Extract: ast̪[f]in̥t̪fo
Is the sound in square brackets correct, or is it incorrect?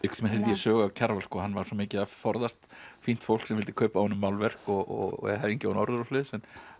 correct